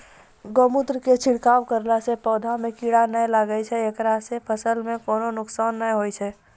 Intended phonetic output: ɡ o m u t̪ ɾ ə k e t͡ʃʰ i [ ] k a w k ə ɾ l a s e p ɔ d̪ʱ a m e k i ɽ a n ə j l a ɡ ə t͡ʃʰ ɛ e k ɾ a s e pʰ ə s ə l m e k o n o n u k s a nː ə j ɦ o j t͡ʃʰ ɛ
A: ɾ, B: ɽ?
B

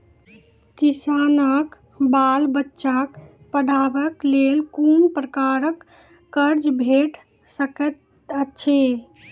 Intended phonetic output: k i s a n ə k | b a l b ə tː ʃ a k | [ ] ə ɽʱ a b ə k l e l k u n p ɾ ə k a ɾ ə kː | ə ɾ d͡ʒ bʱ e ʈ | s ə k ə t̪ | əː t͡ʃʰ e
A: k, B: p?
B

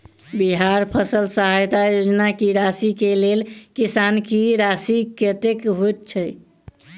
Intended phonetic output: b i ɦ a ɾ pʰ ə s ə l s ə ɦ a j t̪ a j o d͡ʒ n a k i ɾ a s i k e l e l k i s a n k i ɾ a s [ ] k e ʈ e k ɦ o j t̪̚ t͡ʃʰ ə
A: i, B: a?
A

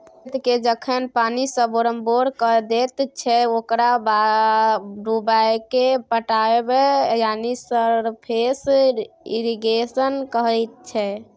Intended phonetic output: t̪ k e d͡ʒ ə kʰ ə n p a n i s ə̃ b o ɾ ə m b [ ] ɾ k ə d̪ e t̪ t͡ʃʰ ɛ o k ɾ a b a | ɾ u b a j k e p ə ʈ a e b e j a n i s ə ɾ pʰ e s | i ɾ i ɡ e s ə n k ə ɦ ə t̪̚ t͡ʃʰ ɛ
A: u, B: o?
B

